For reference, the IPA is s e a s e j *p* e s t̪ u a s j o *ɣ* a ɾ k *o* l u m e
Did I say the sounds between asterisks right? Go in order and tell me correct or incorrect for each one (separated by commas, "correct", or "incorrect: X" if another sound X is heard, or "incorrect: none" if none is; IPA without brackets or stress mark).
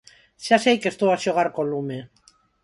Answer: incorrect: k, correct, correct